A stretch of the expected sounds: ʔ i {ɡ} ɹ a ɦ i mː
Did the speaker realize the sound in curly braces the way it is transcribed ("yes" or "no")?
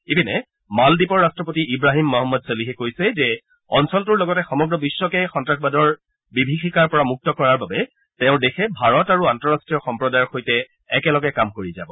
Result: no